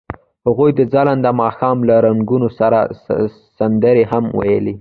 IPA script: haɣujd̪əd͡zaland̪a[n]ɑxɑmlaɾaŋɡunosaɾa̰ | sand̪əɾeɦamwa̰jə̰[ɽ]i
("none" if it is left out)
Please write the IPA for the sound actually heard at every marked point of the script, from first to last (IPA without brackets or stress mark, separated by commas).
m, l